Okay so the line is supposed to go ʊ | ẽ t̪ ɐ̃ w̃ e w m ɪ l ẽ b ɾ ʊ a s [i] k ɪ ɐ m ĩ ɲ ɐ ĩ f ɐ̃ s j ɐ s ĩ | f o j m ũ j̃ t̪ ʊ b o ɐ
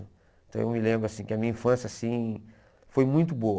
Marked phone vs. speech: incorrect: ĩ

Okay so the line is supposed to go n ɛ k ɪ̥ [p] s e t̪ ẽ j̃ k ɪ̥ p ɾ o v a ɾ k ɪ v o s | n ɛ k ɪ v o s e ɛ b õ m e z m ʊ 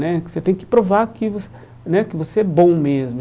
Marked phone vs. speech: incorrect: none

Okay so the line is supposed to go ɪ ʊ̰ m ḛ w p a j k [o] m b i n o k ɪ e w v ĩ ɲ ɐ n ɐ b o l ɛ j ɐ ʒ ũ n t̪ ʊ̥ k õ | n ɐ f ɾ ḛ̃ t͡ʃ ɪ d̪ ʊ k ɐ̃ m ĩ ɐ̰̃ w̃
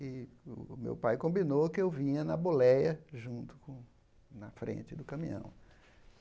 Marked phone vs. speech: incorrect: õ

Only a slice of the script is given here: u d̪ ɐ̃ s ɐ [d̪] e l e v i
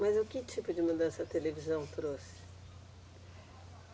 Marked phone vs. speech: incorrect: t̪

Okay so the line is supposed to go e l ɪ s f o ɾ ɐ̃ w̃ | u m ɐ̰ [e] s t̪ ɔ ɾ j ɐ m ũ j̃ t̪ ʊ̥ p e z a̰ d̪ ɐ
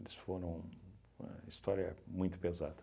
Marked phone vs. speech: incorrect: i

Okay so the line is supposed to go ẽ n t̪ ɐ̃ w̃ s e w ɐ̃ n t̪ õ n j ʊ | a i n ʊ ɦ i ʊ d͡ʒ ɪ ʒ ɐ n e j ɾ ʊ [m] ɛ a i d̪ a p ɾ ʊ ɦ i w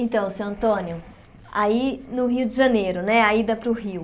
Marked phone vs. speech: incorrect: n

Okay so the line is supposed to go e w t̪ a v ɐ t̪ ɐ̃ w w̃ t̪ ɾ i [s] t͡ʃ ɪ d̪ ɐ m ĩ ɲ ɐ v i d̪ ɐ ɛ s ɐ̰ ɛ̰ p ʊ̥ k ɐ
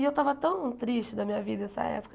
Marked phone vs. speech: incorrect: ʃ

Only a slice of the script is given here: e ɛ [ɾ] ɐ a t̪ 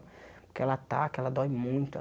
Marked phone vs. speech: incorrect: l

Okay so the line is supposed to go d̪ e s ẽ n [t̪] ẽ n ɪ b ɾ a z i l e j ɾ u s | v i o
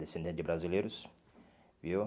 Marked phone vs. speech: incorrect: d̪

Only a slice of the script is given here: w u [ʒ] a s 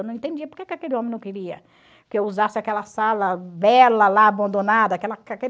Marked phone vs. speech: incorrect: z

